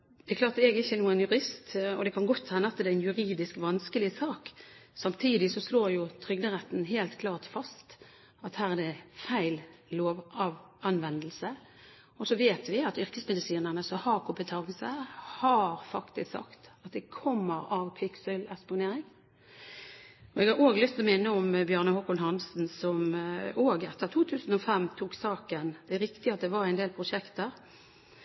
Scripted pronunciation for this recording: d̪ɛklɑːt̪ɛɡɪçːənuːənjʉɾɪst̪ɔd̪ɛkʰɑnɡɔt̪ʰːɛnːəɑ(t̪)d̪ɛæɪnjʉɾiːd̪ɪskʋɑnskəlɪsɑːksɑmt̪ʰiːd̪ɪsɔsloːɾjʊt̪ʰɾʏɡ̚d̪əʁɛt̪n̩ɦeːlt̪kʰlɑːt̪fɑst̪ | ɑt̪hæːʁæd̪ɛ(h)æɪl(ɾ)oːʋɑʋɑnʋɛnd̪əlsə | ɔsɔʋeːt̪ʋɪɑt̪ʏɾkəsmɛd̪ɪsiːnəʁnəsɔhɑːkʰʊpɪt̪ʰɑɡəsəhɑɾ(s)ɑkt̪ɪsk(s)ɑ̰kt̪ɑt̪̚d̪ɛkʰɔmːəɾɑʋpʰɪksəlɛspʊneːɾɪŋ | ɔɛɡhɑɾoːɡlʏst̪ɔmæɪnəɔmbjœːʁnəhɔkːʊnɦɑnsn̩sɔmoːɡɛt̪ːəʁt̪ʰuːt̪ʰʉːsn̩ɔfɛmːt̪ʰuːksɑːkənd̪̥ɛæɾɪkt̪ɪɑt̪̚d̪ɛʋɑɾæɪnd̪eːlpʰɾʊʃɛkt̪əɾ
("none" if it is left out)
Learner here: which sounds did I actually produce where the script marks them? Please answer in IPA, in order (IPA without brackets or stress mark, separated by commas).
t̪, f, l, f, s